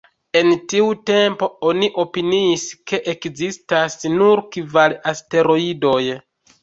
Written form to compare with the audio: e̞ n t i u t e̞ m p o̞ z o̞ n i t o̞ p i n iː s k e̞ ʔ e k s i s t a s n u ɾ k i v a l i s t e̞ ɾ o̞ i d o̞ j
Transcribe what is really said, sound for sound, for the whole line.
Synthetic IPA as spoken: e̞ n t i u t e̞ m p o̞ o̞ n i ʔ o̞ p i n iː s k e̞ ʔ e k z i s t a s n u ɾ k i v a l a s t e̞ ɾ o̞ i d o̞ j